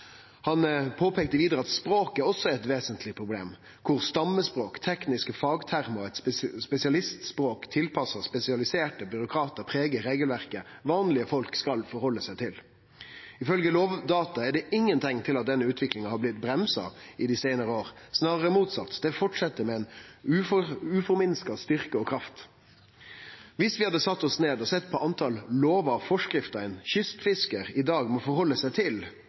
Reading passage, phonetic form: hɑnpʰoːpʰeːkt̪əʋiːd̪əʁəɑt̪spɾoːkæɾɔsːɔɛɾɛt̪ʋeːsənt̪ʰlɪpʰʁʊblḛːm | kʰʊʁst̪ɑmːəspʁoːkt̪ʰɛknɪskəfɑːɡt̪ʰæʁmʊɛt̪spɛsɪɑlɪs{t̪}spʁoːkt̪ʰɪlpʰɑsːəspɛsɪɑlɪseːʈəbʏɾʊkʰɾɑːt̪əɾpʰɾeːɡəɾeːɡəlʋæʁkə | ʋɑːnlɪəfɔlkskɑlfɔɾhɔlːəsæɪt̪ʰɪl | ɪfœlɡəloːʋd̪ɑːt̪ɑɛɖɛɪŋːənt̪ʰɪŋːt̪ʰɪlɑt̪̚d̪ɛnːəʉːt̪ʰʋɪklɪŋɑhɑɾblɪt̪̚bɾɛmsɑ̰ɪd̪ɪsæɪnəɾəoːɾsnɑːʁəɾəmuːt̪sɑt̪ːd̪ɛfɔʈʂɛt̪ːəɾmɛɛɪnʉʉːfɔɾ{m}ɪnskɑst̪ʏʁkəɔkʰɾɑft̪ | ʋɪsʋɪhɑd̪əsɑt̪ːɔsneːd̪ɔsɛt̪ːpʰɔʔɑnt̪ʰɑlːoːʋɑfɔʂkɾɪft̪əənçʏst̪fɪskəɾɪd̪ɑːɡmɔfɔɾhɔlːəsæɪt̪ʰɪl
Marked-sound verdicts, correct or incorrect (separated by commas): correct, correct